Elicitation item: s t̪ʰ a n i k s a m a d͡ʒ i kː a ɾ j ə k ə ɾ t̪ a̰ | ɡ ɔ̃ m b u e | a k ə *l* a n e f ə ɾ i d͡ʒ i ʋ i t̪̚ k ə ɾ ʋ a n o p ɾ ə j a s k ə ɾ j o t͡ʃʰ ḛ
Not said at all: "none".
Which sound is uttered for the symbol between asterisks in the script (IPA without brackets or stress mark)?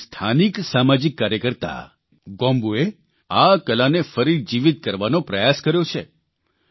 l